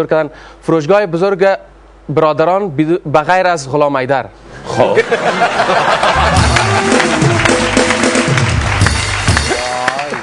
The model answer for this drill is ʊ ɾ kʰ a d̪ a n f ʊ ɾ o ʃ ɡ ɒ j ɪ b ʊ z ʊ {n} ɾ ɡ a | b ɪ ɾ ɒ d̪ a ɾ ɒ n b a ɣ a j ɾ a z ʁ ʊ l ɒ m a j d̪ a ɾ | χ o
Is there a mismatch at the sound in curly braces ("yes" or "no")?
yes